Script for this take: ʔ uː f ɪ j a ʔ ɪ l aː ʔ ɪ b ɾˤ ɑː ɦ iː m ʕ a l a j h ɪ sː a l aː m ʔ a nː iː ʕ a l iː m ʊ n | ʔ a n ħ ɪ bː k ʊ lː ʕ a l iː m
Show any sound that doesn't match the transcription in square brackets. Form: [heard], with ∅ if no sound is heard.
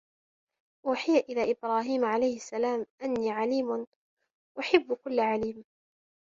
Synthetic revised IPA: ʔ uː [ħ] ɪ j a ʔ ɪ l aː ʔ ɪ b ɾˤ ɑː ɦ iː m ʕ a l a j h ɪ sː a l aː m ʔ a nː iː ʕ a l iː m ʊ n | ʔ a [∅] ħ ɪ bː k ʊ lː ʕ a l iː m